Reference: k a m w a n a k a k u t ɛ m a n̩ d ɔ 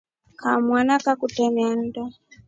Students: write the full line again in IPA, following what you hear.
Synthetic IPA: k a m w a n a k a k u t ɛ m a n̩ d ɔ